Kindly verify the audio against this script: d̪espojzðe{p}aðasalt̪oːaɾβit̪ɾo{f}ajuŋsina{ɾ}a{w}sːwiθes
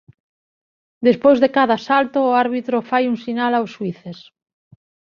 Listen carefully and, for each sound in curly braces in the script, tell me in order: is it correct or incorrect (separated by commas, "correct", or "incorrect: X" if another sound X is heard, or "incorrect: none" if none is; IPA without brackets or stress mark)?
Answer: incorrect: k, correct, incorrect: l, correct